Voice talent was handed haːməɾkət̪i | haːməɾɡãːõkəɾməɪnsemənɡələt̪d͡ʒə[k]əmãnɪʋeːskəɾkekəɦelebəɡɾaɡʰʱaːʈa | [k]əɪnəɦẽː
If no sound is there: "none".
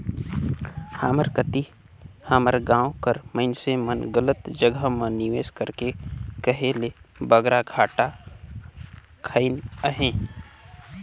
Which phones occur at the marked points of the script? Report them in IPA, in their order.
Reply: ɡ, kʰ

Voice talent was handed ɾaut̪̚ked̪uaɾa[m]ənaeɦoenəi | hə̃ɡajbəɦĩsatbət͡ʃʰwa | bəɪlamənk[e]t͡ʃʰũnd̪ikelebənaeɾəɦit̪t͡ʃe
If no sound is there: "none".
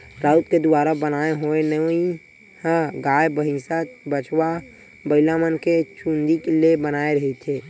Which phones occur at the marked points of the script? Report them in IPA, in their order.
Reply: b, e

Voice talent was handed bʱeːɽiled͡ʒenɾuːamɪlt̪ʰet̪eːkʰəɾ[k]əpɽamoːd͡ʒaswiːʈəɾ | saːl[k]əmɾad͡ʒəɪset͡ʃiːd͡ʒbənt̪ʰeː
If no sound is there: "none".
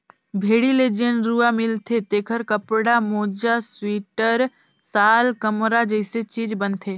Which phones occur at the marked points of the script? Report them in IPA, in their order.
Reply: k, k

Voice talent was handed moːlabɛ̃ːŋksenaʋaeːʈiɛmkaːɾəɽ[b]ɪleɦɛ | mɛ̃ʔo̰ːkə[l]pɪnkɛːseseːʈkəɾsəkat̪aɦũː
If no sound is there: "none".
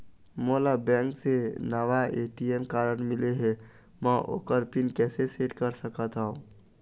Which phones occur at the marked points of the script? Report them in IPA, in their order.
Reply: m, ɾ

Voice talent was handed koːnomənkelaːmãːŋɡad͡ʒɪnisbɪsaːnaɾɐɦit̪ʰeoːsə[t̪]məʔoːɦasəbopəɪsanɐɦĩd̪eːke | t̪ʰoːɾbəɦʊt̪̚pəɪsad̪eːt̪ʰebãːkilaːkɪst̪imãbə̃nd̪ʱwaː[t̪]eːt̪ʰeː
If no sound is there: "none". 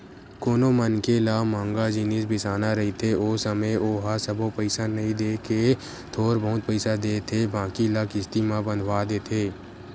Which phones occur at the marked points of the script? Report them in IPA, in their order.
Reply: none, d̪

